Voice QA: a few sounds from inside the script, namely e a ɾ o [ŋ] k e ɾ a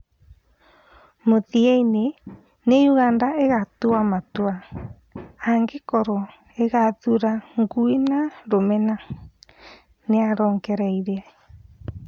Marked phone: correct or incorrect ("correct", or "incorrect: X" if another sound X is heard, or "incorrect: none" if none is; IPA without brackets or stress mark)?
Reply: correct